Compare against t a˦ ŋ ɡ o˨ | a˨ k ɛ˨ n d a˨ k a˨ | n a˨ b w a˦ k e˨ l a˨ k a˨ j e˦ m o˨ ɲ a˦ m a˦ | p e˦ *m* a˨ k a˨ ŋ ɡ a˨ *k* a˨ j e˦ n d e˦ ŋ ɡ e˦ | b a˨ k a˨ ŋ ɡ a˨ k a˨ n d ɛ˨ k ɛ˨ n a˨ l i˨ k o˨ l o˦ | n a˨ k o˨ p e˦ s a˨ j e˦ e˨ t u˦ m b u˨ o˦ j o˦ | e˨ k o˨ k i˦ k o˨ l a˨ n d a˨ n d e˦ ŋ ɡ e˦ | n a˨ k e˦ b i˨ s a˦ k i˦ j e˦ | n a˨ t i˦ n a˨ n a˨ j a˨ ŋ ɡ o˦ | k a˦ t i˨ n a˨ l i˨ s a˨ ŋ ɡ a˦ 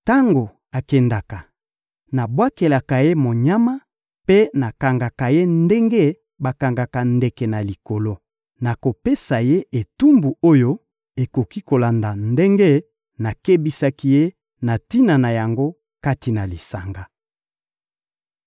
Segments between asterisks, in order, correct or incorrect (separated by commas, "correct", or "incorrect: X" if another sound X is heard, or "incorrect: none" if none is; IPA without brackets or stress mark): incorrect: n, correct